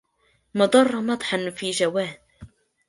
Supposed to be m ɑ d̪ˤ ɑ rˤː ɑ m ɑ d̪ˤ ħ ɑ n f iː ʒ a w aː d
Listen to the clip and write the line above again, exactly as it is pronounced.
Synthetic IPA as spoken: m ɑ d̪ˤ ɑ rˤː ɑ m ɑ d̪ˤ ħ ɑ n f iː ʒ a w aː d